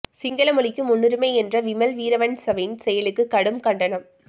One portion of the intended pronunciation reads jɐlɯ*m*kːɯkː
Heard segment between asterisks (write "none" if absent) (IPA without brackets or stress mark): none